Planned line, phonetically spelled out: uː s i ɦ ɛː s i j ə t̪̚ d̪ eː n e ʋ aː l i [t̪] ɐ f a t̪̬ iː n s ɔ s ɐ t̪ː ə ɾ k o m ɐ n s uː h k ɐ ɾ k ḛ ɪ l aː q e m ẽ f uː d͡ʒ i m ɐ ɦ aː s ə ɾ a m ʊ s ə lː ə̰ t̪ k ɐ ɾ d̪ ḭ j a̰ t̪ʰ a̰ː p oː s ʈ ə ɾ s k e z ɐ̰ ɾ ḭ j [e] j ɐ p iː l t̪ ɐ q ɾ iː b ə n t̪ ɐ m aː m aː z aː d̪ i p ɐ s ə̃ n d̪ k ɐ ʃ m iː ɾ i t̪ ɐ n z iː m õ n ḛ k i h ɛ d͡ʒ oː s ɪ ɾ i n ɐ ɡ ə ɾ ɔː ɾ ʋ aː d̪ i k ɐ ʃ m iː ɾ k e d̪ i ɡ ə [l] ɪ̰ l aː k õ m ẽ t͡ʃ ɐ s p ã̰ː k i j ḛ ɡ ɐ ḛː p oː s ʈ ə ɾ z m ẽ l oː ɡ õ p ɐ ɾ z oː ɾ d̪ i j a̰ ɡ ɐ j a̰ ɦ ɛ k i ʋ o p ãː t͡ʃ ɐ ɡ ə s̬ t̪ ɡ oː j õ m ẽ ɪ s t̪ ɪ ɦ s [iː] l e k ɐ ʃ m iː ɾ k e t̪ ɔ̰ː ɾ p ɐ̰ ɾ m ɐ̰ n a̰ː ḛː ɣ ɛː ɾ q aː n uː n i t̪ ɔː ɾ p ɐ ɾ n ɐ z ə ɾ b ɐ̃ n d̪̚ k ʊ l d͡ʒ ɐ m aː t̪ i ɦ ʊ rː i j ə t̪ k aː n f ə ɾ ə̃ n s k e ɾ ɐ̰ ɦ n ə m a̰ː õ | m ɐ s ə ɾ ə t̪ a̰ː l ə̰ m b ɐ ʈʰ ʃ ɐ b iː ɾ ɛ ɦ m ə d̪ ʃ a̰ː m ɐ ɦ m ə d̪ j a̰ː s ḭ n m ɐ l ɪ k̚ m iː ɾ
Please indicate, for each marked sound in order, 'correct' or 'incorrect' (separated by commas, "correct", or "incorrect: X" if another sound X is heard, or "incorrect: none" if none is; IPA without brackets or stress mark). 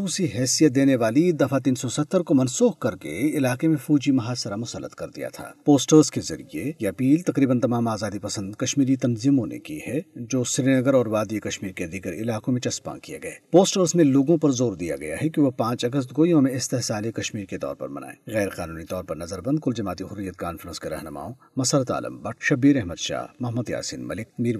incorrect: d̪, correct, incorrect: ɾ, incorrect: aː